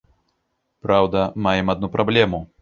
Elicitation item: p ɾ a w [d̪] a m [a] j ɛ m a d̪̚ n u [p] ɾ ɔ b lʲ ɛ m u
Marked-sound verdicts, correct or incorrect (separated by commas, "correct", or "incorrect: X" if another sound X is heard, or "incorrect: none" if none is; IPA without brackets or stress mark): correct, correct, correct